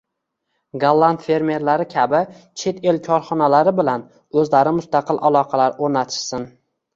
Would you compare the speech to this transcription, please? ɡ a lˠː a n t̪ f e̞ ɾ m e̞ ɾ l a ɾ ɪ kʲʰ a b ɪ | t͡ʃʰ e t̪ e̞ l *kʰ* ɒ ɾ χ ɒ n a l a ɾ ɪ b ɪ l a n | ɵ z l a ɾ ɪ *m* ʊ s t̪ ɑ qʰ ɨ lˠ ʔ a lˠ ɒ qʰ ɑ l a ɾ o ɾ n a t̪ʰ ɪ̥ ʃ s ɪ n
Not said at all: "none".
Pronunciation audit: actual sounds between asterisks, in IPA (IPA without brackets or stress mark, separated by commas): kʰ, m